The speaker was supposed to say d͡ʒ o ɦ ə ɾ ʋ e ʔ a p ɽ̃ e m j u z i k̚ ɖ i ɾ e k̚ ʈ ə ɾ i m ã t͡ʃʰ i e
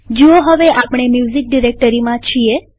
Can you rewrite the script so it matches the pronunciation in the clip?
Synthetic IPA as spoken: d͡ʒ o ɦ ə ʋ e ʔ a p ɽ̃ e m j u z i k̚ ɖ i ɾ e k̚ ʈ ə ɾ i m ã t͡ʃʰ i e